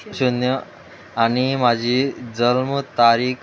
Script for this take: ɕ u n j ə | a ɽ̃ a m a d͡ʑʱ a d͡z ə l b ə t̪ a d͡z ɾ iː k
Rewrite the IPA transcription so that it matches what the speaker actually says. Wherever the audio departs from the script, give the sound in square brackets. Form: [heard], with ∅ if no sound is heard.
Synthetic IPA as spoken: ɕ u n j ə | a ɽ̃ [i] m a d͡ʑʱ [i] d͡z ə l [m] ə t̪ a [∅] ɾ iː k